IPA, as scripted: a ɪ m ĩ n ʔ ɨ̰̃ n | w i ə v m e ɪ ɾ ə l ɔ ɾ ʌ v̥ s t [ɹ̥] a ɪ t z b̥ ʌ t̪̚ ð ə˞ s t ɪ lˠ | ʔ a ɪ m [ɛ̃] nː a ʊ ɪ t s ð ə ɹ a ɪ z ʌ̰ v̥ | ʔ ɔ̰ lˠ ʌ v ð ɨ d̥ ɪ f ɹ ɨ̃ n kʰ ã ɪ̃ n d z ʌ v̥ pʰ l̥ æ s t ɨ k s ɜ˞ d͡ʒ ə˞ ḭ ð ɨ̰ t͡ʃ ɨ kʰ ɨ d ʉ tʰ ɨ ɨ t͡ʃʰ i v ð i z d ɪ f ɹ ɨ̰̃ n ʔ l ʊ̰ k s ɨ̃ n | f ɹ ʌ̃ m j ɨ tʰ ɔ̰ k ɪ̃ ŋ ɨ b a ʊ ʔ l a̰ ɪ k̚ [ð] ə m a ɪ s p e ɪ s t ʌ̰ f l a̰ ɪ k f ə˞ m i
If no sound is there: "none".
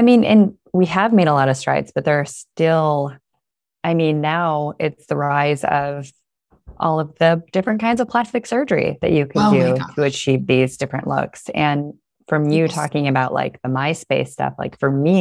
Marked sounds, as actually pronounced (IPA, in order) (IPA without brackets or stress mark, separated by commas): ɹ̥, ĩ, ð